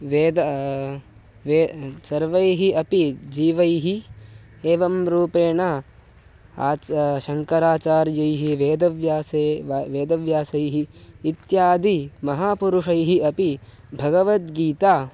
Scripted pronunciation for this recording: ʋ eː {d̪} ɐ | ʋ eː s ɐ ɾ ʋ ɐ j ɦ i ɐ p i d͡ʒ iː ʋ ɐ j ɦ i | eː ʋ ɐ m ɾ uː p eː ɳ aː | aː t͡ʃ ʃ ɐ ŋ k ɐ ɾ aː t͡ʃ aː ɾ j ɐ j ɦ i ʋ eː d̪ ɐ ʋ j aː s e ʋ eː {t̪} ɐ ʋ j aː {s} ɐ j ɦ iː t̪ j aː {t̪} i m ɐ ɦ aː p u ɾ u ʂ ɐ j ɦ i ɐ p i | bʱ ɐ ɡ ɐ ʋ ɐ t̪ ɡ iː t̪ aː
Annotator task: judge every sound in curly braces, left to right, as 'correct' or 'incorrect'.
correct, incorrect: d̪, correct, incorrect: d̪

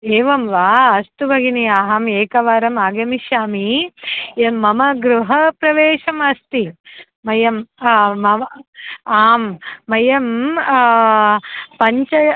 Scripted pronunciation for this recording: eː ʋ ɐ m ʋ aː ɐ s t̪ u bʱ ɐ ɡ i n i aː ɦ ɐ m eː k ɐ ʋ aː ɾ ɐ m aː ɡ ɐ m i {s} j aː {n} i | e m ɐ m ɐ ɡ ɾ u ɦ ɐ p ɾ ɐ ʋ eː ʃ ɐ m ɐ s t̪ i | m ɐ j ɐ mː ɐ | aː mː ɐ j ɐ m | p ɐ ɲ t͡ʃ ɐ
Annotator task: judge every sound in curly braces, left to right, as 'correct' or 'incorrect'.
incorrect: ʃ, incorrect: m

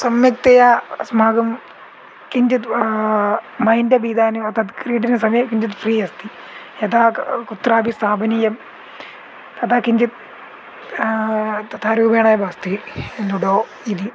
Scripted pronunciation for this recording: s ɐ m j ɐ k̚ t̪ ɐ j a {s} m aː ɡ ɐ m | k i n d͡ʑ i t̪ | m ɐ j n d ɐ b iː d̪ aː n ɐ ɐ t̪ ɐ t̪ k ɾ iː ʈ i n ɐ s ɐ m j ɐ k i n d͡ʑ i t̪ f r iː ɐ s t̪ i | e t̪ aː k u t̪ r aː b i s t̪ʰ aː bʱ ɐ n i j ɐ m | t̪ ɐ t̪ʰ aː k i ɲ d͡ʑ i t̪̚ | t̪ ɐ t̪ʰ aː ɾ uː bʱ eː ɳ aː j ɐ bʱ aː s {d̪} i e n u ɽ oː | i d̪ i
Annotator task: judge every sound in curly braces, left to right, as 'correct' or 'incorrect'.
correct, incorrect: t̪

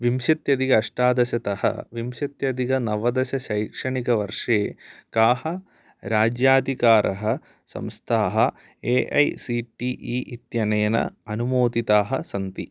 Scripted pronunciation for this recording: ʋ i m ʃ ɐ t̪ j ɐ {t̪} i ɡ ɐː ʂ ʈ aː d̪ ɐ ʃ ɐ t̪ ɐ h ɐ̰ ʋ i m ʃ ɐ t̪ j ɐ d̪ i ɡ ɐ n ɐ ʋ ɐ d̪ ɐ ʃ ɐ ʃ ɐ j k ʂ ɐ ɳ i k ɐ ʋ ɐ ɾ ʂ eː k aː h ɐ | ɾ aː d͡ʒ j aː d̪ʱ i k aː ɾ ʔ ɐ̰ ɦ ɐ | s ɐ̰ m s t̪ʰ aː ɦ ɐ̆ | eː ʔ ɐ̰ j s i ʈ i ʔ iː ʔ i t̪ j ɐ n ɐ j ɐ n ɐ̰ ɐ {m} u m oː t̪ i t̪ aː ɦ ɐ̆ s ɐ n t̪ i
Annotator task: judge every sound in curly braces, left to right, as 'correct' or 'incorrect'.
incorrect: d̪, incorrect: n

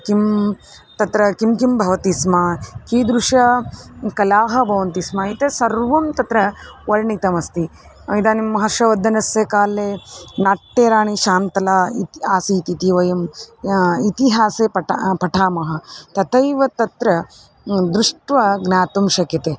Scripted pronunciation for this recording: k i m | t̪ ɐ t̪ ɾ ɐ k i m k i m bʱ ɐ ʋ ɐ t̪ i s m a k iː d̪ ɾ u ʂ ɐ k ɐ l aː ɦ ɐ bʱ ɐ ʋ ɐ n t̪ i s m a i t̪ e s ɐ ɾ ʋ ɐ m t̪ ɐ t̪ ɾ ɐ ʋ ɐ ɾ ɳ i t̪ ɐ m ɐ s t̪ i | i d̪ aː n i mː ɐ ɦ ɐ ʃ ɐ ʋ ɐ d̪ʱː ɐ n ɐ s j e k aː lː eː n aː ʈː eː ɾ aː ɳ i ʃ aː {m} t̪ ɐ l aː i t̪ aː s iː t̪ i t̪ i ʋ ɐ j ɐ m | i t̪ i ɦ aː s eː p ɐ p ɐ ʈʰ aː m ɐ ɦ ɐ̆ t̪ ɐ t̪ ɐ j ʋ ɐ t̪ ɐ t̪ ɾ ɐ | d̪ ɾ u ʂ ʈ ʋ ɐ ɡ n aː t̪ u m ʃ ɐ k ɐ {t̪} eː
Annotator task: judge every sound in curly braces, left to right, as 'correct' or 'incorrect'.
incorrect: n, correct

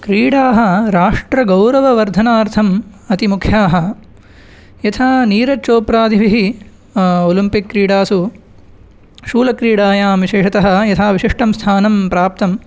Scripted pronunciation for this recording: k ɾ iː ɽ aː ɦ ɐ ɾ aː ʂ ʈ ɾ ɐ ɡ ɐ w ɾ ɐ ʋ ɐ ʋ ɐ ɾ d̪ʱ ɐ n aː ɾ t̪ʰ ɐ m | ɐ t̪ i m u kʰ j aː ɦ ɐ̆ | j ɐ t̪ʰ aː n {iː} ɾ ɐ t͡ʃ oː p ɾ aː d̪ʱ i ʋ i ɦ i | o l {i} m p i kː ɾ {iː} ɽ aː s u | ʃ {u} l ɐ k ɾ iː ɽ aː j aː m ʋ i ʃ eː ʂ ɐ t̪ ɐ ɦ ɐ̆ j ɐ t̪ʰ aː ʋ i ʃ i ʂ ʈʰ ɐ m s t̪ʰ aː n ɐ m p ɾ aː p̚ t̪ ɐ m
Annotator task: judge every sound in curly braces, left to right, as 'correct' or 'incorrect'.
correct, correct, correct, incorrect: uː

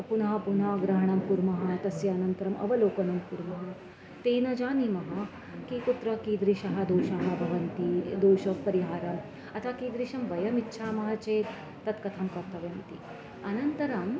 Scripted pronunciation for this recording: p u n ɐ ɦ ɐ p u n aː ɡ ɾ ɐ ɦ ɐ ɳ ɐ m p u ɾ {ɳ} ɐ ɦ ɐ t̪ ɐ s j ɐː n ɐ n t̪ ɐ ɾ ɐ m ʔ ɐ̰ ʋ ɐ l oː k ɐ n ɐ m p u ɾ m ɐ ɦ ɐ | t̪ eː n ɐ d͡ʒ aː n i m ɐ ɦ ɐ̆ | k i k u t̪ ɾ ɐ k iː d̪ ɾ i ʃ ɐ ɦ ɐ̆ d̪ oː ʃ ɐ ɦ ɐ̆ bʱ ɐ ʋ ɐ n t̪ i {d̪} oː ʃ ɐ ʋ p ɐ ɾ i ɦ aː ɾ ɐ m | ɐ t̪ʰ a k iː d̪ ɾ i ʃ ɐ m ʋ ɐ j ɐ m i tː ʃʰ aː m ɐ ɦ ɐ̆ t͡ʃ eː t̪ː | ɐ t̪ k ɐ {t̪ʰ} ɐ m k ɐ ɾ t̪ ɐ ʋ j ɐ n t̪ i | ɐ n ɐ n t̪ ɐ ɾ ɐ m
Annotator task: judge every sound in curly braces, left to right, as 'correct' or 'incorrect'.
incorrect: m, correct, correct

